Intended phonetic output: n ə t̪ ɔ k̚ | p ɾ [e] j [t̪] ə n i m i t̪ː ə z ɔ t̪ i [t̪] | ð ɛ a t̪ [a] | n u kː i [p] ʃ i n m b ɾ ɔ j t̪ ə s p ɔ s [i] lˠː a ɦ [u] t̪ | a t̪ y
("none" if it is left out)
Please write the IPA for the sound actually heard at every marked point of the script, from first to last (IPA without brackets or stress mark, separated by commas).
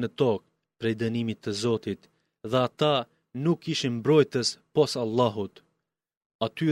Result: ɛ, d̪, t̪, a, none, a, u